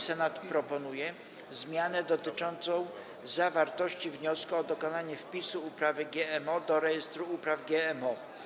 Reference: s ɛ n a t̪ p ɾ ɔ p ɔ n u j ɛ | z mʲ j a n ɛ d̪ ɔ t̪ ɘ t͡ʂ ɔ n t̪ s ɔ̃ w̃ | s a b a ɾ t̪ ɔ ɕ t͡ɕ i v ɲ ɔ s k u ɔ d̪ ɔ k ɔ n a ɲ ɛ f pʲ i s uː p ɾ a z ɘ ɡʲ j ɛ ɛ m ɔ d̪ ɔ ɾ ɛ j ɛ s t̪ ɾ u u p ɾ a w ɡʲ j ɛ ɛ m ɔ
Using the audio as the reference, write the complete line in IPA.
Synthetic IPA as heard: s ɛ n a t̪ p ɾ ɔ p ɔ n u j ɛ | z mʲ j a n ɛ d̪ ɔ t̪ ɘ t͡ʂ ɔ n t̪ s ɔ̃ w̃ | z a v a ɾ t̪ ɔ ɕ t͡ɕ i v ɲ ɔ s k u ɔ d̪ ɔ k ɔ n a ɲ ɛ f pʲ i s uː p ɾ a v ɘ ɡʲ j ɛ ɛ m ɔ d̪ ɔ ɾ ɛ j ɛ s t̪ ɾ u u p ɾ a v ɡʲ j ɛ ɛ m ɔ